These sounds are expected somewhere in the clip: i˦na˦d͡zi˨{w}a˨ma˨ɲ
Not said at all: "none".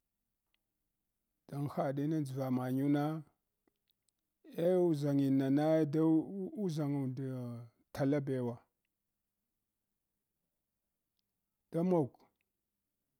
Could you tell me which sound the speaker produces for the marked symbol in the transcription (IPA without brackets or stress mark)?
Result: v